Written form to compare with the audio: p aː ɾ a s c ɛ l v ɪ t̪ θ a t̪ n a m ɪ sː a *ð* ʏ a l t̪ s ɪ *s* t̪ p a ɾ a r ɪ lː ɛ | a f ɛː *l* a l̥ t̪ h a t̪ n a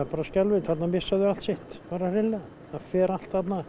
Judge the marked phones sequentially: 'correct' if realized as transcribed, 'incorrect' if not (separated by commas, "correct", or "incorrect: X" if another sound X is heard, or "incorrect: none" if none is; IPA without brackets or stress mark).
correct, incorrect: h, incorrect: ɾ